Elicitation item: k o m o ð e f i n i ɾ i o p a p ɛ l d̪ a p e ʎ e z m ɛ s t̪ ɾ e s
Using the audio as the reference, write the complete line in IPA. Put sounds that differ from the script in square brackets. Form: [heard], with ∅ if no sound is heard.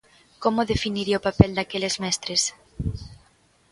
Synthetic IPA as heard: k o m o ð e f i n i ɾ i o p a p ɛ l d̪ a [k] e [l] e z m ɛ s t̪ ɾ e s